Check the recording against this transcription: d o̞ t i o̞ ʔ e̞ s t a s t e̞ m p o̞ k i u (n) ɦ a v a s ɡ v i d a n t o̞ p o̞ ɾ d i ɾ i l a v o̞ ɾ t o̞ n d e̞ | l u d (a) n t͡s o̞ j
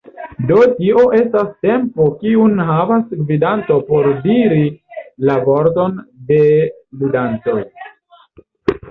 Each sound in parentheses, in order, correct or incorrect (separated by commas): correct, correct